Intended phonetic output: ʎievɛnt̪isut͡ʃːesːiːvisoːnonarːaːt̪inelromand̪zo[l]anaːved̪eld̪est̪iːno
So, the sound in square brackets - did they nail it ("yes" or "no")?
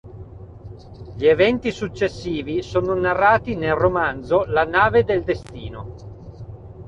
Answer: yes